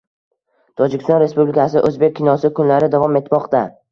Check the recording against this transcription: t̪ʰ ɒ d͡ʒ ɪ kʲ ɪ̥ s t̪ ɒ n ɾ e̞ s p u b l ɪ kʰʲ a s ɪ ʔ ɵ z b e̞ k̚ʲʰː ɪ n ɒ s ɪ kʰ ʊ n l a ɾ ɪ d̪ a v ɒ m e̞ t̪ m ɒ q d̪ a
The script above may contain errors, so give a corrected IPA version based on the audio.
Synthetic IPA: t̪ʰ ɒ d͡ʒ ɪ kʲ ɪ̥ s t̪ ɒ n ɾ e̞ s p u b l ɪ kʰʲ a s ɪ ʔ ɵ z b e̞ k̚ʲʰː ɪ n ɒ s ɪ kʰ ʊ n l a ɾ ɪ d̪ a v ɒ m e̞ t̪ m ɒ q t̪ a